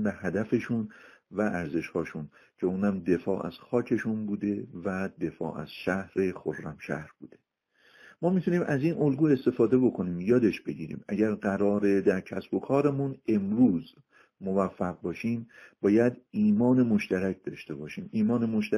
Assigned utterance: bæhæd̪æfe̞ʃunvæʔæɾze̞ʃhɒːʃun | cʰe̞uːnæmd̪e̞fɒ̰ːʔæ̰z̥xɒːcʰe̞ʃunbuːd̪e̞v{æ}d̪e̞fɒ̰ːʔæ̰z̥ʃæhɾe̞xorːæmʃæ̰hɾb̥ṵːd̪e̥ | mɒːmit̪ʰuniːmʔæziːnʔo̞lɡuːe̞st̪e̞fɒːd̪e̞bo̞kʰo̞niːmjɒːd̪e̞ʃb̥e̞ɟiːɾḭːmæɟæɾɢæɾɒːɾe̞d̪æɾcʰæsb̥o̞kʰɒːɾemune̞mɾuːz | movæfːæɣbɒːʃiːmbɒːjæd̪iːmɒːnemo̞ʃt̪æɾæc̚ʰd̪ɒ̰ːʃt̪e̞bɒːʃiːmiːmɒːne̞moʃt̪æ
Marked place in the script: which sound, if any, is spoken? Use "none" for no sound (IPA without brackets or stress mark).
æ